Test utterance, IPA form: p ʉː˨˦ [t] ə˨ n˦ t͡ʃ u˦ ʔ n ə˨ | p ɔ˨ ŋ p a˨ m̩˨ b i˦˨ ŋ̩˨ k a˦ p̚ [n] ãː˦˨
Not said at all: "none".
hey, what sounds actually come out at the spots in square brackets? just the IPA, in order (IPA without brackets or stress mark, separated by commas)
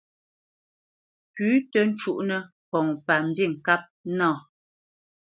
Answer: t, n